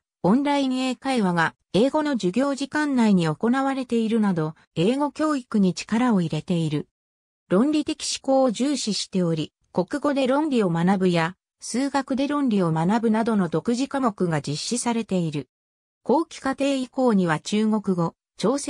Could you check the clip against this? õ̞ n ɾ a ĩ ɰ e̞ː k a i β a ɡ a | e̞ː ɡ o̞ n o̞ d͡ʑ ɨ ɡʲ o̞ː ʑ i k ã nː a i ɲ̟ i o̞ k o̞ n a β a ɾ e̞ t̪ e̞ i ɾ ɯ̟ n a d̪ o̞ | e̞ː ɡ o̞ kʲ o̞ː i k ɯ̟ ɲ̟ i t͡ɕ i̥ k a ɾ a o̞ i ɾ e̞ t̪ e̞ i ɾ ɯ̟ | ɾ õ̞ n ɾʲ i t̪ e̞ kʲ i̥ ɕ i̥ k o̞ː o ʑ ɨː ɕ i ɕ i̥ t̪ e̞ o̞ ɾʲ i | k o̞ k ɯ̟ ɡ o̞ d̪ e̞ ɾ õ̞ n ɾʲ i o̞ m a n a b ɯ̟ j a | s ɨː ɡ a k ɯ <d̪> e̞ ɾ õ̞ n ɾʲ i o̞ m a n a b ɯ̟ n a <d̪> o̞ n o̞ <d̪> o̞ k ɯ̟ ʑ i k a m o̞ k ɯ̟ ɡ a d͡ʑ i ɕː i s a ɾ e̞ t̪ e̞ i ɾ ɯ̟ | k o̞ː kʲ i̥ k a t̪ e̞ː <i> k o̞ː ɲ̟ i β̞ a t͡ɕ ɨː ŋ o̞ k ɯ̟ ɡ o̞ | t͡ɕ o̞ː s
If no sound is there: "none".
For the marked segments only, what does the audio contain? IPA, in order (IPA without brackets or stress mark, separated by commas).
d̪, d̪, d̪, i